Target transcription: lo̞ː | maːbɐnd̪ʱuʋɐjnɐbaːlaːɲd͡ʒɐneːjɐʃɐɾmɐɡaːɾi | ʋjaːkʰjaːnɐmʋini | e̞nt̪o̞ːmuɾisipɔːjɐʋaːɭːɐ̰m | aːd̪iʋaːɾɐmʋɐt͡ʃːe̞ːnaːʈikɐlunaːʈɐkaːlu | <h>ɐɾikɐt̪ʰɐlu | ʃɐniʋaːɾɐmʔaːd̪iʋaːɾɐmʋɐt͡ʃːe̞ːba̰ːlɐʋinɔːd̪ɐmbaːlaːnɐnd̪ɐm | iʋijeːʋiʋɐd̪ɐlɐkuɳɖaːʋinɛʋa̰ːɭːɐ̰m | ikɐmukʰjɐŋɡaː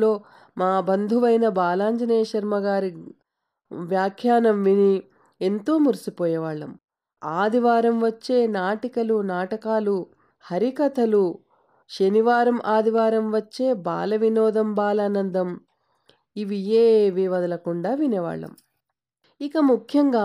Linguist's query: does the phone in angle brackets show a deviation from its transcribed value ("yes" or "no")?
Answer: no